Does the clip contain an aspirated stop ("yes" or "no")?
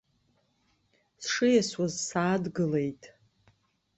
no